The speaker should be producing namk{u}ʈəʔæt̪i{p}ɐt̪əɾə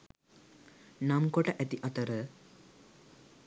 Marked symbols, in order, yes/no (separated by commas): no, no